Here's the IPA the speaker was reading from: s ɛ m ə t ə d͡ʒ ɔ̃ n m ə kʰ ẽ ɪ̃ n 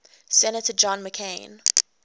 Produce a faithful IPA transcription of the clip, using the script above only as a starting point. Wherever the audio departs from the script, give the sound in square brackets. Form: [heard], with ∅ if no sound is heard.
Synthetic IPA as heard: s ɛ [n] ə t ə d͡ʒ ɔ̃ n m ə kʰ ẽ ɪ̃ n

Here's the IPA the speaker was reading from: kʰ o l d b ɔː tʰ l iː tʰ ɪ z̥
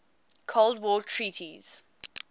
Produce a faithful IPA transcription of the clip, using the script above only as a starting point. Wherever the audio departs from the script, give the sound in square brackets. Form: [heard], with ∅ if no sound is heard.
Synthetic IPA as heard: kʰ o l d [w] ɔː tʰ [ɹ] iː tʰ [i] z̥

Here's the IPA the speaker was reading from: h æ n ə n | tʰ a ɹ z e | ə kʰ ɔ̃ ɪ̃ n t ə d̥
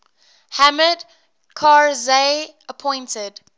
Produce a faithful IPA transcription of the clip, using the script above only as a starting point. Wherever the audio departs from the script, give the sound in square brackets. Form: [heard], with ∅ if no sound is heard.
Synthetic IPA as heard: h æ [m] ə [d] | [kʰ] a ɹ z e | ə [pʰ] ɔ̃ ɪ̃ n t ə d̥

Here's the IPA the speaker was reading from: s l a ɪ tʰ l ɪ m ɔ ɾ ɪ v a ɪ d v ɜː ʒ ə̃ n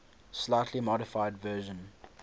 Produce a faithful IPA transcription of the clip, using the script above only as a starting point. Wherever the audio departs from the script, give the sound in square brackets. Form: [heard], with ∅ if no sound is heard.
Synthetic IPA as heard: s l a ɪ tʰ l [i] m ɔ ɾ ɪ [f] a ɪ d v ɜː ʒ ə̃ n

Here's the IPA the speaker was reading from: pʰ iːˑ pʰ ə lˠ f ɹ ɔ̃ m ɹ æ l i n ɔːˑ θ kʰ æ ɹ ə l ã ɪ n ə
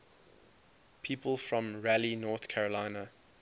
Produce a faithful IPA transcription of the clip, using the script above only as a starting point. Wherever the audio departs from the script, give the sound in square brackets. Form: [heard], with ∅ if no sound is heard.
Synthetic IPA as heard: pʰ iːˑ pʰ ə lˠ f ɹ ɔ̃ m ɹ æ l i n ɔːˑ θ kʰ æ ɹ ə l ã ɪ n ə

